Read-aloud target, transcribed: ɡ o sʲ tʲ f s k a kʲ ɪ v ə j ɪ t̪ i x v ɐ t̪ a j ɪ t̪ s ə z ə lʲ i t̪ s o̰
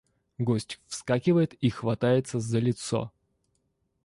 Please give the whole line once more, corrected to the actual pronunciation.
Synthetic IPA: ɡ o sʲ tʲ f s k a kʲ ɪ v ə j ɪ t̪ i x v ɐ t̪ a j ɪ t̪ s ə z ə lʲ ɪ t̪ s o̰